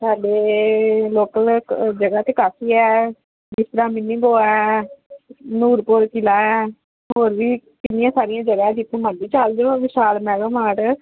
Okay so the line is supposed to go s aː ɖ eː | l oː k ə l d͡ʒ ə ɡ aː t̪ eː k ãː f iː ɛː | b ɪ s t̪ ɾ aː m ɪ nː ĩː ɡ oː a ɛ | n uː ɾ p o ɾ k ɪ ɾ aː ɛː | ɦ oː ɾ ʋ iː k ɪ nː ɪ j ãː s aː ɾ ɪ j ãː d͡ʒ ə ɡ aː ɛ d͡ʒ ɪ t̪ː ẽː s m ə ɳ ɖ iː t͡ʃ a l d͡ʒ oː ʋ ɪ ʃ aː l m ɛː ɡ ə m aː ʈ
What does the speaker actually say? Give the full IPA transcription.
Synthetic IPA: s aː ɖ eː | l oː k ə l d͡ʒ ə ɡ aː t̪ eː k aː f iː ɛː | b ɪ s t̪ ɾ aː m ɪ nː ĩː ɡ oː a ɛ | n uː ɾ p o ɾ k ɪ l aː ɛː | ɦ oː ɾ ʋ iː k ɪ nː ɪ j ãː s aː ɾ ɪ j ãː d͡ʒ ə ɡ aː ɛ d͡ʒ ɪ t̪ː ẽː m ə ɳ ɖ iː t͡ʃ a l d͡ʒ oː ʋ ɪ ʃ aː l m ɛː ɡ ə m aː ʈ